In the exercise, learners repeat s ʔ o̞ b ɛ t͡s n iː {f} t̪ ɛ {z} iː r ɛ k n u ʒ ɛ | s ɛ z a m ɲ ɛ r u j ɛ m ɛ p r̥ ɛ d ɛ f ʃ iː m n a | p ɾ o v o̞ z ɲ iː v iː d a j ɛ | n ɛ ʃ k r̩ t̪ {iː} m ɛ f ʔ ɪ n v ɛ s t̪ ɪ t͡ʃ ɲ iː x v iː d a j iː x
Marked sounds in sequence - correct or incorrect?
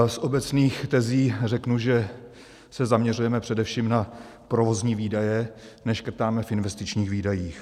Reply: incorrect: x, correct, incorrect: aː

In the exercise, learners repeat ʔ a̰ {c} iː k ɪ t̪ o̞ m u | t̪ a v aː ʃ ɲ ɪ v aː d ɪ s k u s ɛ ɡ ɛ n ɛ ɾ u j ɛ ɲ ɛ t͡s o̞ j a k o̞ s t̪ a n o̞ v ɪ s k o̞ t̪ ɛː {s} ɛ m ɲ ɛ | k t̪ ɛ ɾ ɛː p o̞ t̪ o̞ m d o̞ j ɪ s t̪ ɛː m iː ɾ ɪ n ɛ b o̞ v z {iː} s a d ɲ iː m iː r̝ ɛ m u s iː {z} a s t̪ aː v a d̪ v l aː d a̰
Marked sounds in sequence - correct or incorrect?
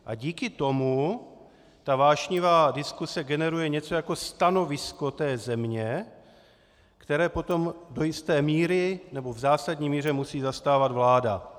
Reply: incorrect: ɟ, incorrect: z, incorrect: aː, correct

